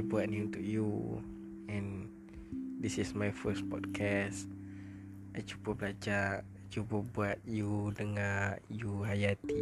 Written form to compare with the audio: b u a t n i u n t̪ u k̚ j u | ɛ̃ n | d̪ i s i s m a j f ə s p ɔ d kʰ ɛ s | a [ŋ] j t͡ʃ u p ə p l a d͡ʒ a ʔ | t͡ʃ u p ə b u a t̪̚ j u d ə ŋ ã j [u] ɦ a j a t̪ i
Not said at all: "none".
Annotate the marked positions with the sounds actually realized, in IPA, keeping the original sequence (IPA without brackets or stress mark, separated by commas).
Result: none, u